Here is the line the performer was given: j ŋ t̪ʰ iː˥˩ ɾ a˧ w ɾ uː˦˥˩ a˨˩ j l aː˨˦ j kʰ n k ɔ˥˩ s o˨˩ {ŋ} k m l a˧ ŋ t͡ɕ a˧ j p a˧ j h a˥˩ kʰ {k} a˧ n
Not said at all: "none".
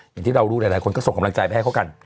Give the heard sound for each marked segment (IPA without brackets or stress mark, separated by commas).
ŋ, k